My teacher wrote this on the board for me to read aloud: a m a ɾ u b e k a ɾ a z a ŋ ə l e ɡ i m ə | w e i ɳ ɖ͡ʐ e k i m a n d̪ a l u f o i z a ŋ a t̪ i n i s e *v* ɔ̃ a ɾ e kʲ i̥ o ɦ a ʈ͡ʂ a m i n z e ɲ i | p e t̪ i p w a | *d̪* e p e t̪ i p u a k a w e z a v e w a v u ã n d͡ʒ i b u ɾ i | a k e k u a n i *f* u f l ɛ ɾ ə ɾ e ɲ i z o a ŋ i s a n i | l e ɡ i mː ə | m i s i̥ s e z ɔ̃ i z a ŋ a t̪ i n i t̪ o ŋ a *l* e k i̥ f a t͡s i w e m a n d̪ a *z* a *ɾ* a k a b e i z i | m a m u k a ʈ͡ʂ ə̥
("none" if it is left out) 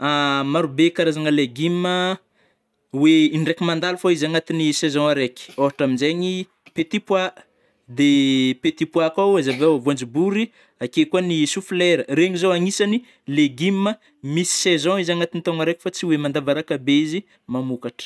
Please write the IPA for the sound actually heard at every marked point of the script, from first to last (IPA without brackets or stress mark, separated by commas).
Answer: z, d̪, s, ɾ, v, ɾ